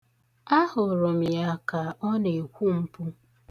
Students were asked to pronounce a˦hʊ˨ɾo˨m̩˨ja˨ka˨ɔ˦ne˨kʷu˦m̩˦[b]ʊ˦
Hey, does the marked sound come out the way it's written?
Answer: no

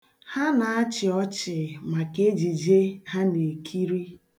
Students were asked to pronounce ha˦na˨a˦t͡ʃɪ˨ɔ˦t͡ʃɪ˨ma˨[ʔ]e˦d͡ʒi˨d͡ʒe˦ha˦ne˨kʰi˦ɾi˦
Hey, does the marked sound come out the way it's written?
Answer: no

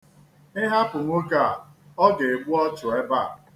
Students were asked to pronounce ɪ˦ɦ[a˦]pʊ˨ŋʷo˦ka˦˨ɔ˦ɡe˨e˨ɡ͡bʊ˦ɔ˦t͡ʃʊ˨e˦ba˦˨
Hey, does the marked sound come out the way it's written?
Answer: yes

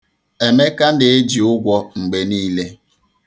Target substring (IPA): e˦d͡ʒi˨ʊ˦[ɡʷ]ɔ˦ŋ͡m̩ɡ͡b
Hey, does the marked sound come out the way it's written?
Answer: yes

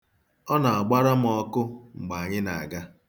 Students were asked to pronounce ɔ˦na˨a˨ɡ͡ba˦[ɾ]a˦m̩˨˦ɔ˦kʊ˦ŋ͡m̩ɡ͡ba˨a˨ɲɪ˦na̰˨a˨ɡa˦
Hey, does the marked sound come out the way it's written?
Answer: yes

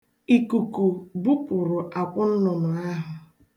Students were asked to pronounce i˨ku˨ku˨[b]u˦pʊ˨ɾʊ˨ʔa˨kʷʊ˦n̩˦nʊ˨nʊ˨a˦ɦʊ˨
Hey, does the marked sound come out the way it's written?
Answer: yes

